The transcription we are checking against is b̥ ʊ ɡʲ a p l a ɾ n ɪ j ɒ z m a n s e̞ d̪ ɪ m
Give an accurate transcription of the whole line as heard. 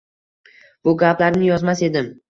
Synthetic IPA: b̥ ʊ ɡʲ a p l a ɾ n ɪ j ɒ z m a s e̞ d̪ ɪ m

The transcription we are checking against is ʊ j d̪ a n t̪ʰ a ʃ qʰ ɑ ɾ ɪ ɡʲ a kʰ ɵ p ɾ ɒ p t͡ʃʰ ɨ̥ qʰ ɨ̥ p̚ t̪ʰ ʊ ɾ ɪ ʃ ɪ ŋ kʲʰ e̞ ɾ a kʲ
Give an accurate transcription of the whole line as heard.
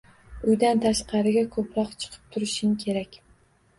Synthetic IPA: ʊ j d̪ a n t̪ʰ a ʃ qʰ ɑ ɾ ɪ ɡʲ a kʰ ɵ p ɾ ɒ q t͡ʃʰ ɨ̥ qʰ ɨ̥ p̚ t̪ʰ ʊ ɾ ɪ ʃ ɪ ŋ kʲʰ e̞ ɾ a kʲ

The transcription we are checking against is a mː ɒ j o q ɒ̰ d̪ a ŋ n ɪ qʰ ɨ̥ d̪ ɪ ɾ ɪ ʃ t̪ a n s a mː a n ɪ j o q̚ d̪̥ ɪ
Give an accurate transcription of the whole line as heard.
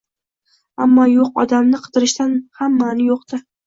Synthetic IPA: a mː ɒ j o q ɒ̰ d̪ a m n ɪ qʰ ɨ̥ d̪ ɪ ɾ ɪ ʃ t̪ a n h a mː a n ɪ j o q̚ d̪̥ ɪ

